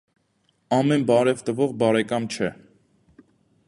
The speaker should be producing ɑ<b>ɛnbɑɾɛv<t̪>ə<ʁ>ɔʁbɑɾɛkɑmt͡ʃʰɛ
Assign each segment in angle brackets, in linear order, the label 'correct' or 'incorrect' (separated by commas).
incorrect, correct, incorrect